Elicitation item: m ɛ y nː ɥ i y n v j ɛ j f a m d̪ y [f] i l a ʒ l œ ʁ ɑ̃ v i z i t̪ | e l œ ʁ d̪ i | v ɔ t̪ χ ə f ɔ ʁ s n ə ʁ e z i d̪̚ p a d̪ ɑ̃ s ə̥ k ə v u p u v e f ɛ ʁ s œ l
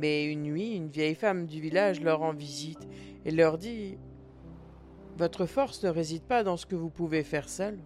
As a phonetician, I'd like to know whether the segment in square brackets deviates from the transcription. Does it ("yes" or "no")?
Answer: yes